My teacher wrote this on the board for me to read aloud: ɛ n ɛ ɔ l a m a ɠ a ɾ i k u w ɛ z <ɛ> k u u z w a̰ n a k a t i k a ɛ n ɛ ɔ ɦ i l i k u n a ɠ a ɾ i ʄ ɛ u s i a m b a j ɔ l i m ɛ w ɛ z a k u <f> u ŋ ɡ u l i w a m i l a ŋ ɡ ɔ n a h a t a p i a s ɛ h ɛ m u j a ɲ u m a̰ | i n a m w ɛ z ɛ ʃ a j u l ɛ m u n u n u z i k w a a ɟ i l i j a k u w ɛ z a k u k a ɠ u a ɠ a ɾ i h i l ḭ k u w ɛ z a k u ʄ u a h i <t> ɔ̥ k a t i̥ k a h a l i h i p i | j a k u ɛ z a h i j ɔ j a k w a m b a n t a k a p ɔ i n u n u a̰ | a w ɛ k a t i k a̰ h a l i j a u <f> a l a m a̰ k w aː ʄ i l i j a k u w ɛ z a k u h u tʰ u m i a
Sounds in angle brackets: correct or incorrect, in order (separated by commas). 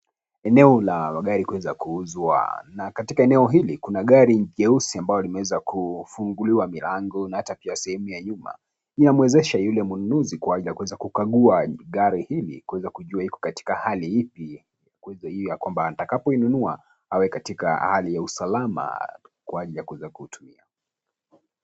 incorrect, correct, incorrect, incorrect